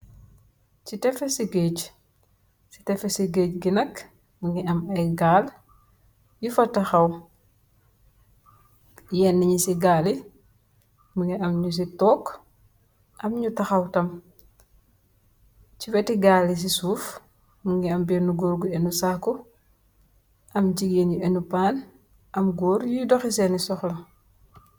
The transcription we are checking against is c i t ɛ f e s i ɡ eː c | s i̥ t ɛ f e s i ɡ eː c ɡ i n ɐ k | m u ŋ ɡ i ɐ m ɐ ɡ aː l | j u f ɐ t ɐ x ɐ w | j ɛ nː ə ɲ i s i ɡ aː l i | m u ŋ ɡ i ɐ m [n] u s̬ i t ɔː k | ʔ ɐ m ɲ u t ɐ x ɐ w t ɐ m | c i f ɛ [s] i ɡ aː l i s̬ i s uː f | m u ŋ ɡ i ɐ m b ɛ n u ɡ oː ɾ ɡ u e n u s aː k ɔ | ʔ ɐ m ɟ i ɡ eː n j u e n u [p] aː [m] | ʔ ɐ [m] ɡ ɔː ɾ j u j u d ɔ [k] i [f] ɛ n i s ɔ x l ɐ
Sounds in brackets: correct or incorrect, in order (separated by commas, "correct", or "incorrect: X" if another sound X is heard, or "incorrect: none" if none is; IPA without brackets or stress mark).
incorrect: ɲ, incorrect: t, correct, incorrect: n, correct, incorrect: x, incorrect: s